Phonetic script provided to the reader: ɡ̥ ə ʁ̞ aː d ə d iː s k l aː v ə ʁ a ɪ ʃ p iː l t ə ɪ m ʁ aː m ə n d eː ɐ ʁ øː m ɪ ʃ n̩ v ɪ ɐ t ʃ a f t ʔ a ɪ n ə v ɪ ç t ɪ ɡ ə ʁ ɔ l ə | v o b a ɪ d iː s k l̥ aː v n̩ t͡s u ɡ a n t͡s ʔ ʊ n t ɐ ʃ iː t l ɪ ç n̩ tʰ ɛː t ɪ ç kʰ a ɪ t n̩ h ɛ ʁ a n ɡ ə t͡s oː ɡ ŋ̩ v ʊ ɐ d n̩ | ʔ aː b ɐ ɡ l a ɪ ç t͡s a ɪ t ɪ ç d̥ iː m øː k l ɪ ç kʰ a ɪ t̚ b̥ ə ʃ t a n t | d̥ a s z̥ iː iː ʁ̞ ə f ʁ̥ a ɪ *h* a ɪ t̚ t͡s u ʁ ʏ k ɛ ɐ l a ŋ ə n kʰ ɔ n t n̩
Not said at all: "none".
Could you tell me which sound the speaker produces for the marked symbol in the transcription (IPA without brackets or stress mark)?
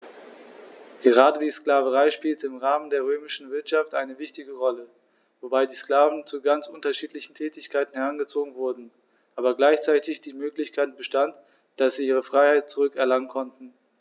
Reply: h